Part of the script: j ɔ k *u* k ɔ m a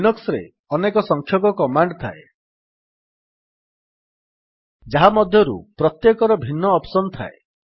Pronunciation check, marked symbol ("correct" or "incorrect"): incorrect